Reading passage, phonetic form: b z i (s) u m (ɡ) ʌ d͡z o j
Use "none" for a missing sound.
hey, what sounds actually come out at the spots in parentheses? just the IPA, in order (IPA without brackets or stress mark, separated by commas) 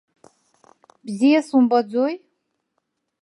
s, b